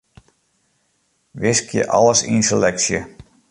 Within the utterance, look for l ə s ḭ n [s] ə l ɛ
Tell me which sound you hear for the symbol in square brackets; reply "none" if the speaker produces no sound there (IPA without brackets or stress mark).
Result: s